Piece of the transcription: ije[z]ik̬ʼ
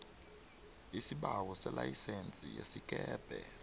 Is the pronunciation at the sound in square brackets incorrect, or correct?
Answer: incorrect